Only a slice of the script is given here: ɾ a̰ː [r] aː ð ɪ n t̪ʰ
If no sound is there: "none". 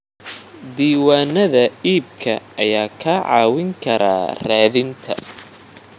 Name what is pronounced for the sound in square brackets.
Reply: r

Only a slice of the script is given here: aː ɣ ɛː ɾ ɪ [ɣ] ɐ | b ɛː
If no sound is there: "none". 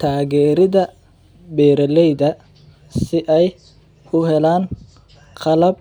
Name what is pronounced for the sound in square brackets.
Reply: ð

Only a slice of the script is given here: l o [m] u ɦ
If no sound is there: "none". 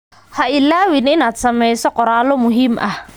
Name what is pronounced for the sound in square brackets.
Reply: m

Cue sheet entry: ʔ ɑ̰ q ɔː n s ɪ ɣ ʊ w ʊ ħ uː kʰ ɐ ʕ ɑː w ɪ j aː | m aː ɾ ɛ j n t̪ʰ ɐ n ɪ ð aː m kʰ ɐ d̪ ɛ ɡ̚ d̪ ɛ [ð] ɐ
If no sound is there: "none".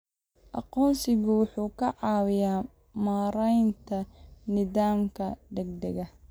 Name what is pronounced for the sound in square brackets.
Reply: ɣ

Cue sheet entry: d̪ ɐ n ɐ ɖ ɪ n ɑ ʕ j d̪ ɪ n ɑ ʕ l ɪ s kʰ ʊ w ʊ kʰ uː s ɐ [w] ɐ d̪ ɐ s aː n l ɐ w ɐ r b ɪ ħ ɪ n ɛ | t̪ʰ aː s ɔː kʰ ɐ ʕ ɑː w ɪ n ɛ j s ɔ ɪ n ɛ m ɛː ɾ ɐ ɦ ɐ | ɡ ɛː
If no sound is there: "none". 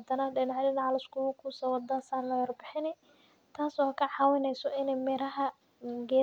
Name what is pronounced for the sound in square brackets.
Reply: w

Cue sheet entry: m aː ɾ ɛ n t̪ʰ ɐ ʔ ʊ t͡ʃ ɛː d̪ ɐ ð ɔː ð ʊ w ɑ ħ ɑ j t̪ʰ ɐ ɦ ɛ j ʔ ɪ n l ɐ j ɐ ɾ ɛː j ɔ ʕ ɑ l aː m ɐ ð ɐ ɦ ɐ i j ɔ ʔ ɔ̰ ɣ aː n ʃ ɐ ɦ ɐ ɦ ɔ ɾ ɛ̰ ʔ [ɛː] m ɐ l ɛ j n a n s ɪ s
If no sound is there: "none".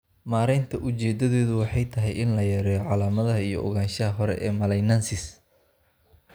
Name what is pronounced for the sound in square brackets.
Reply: ɛː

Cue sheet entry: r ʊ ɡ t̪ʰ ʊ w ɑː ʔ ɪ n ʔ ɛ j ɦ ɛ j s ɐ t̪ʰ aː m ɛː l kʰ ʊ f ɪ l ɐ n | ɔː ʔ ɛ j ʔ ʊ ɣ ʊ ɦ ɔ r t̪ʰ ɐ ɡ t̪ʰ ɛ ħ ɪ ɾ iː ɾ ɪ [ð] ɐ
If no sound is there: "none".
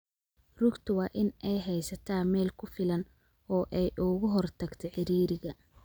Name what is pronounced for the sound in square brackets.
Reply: ɣ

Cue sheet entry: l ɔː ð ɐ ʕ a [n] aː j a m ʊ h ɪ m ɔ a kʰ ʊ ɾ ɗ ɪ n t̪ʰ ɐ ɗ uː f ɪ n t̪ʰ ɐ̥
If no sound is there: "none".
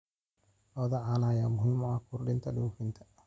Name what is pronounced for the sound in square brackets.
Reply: n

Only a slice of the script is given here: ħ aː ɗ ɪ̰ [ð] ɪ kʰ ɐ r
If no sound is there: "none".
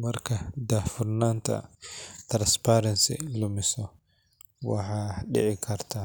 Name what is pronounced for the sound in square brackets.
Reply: ʕ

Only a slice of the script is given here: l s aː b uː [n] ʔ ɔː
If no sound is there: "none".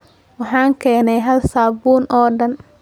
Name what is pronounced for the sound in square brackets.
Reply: n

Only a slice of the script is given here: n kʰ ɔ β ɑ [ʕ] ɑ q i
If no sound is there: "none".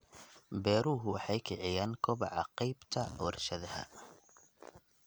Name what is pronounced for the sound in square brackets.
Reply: ʕ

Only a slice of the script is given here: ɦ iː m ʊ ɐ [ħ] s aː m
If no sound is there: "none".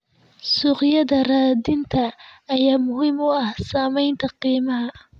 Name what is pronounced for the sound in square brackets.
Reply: h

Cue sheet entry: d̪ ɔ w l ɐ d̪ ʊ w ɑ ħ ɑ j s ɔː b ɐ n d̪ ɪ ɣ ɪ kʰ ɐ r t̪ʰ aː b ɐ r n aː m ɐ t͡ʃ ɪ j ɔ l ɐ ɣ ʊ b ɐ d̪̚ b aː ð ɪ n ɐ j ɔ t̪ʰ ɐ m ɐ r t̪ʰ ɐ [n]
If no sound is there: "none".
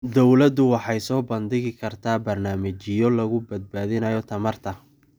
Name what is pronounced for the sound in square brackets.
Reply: none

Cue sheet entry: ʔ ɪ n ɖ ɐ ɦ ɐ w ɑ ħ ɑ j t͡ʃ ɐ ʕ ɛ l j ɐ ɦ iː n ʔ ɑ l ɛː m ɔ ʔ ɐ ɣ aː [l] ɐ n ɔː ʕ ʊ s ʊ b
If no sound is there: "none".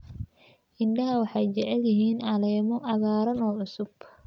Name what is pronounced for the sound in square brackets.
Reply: ɾ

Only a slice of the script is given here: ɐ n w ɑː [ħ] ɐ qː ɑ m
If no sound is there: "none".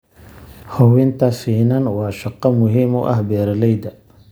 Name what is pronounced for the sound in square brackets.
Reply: ʃ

